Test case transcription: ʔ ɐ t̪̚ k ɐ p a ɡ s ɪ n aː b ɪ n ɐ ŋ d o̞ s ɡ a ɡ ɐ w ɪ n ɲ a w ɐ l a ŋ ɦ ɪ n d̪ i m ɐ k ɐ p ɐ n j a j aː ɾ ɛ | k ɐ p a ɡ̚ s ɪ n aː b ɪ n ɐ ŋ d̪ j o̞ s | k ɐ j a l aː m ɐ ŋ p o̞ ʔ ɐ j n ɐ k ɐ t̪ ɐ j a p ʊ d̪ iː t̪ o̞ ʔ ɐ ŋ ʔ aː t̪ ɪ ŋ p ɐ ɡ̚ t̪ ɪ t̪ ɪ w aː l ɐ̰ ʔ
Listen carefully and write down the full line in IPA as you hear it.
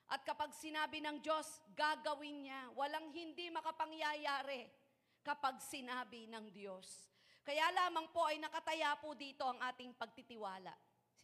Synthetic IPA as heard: ʔ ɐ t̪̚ k ɐ p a ɡ s ɪ n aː b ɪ n ɐ ŋ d o̞ s ɡ a ɡ ɐ w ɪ n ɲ a w ɐ l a ŋ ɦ ɪ n d̪ i m ɐ k ɐ p ɐ ŋ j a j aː ɾ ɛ | k ɐ p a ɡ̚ s ɪ n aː b ɪ n ɐ ŋ d̪ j o̞ s | k ɐ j a l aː m ɐ ŋ p o̞ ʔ ɐ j n ɐ k ɐ t̪ ɐ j a p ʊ d̪ iː t̪ o̞ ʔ ɐ ŋ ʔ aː t̪ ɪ ŋ p ɐ ɡ̚ t̪ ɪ t̪ ɪ w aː l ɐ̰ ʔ